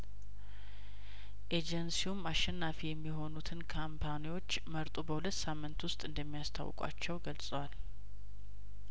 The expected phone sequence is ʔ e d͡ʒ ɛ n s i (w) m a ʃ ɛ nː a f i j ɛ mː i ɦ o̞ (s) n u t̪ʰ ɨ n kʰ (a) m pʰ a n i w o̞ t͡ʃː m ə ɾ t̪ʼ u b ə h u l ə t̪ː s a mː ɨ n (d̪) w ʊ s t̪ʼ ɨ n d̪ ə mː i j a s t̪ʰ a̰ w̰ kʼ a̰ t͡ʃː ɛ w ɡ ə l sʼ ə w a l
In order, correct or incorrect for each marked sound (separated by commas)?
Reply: incorrect, incorrect, correct, incorrect